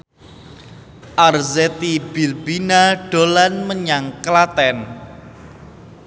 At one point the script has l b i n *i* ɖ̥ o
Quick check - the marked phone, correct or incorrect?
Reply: incorrect